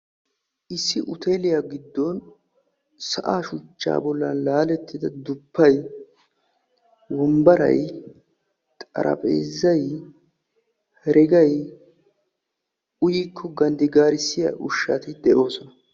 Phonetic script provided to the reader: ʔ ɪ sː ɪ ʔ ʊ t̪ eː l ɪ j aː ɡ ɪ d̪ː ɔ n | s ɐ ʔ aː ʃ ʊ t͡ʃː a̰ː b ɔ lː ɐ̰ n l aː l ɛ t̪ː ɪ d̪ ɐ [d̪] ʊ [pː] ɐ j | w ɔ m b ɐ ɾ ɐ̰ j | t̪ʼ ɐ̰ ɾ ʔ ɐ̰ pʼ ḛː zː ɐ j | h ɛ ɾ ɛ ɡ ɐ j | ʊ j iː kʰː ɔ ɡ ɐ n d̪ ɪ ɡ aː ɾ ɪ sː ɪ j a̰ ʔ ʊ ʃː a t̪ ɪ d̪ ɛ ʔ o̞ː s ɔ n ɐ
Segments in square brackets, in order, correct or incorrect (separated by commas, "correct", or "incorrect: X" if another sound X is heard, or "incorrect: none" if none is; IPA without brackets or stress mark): correct, correct